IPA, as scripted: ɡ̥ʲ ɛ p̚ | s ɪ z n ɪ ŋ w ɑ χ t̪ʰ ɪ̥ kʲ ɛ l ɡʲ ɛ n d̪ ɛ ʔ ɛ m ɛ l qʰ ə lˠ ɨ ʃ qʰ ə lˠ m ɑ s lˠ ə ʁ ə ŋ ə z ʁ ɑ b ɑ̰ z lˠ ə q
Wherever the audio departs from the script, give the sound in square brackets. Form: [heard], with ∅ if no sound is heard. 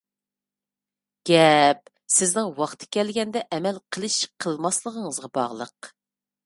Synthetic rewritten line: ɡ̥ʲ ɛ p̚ | s ɪ z n ɪ ŋ w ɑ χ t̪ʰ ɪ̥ kʲ ɛ l ɡʲ ɛ n d̪ ɛ ʔ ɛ m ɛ l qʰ ə lˠ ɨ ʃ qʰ ə lˠ m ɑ s lˠ ə ʁ ə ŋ ə z ʁ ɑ b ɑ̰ [ʁ] lˠ ə q